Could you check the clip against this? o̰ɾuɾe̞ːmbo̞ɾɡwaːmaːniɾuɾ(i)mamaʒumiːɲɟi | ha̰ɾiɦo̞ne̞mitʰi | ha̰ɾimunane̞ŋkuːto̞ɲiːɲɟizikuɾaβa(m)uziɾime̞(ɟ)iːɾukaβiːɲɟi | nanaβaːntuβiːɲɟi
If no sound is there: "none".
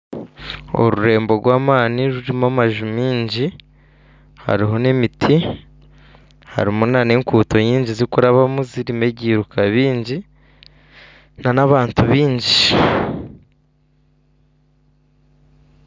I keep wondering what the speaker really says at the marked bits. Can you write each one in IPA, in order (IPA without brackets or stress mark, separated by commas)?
i, m, ɟ